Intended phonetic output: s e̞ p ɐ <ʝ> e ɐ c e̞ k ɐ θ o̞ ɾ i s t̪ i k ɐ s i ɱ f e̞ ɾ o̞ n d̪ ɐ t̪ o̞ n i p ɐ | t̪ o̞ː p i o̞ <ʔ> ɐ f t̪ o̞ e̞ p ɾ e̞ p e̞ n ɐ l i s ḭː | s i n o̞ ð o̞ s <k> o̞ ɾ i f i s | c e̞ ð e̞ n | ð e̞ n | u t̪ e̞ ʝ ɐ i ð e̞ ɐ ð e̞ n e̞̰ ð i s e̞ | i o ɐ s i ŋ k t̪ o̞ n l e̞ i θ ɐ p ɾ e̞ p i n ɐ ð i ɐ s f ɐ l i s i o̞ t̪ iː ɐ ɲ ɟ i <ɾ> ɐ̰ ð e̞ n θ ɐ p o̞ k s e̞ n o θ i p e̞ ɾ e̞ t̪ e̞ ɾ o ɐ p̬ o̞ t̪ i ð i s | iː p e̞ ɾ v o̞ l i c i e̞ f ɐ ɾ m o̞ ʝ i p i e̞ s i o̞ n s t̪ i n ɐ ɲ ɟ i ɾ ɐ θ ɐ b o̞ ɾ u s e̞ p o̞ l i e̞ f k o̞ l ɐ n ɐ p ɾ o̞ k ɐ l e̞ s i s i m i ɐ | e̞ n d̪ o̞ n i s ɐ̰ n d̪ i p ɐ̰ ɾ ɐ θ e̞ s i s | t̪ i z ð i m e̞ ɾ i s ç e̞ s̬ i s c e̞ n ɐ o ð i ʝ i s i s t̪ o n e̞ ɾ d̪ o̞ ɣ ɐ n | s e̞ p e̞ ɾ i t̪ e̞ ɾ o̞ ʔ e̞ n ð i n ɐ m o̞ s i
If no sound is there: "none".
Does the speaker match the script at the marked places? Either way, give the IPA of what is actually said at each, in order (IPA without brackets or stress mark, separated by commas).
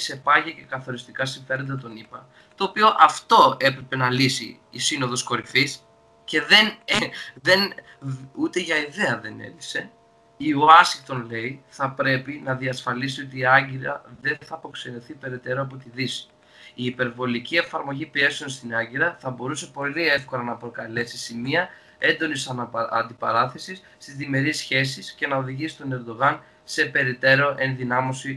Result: ʝ, ʔ, k, ɾ